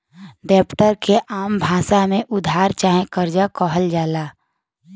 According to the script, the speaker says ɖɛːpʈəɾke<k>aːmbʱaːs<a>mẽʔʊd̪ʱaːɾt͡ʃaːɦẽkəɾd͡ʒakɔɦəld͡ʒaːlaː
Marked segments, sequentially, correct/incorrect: incorrect: ʔ, correct

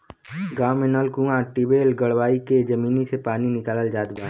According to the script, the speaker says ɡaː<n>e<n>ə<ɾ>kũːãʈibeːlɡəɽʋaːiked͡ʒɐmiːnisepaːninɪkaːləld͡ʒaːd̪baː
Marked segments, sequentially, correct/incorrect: incorrect: m, correct, incorrect: l

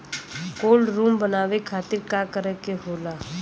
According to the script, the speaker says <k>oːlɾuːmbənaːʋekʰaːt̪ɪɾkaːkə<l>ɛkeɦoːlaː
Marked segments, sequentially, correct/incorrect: correct, incorrect: ɾ

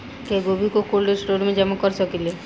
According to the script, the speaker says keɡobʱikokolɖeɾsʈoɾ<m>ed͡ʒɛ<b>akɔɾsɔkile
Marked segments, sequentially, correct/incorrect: correct, incorrect: m

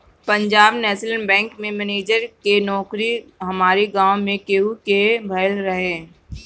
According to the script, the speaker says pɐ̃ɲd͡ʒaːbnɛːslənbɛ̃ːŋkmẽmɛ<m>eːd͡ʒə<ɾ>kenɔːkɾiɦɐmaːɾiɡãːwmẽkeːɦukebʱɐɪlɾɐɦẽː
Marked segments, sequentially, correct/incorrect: incorrect: n, correct

